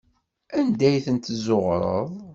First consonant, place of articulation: alveolar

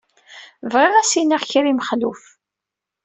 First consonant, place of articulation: labial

